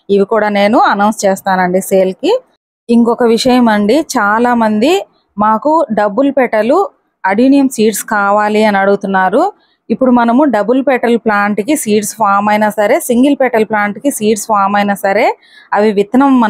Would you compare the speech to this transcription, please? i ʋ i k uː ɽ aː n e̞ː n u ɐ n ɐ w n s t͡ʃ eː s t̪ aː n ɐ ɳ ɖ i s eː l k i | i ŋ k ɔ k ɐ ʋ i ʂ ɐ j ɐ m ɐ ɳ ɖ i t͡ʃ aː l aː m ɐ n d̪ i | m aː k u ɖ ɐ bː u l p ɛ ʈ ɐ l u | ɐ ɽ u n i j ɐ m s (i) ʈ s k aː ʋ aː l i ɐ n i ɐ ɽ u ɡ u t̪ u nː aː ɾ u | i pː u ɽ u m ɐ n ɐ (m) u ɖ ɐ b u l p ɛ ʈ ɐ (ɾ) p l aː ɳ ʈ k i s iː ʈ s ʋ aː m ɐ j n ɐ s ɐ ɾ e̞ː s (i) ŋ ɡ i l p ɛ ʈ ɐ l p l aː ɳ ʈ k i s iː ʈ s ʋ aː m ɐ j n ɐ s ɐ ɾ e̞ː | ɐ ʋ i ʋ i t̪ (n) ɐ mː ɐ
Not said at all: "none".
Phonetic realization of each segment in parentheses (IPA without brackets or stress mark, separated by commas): iː, m, l, i, n